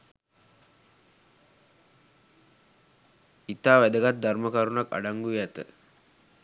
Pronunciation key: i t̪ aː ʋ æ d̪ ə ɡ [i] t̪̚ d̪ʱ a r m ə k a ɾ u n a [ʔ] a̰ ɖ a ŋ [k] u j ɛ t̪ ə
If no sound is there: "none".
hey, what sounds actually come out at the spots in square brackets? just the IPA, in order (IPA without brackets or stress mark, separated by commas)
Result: a, k, ɡ